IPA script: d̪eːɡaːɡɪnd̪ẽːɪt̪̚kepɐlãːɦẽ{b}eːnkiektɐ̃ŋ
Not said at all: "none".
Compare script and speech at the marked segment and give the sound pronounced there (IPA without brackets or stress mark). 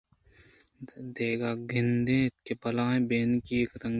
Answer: b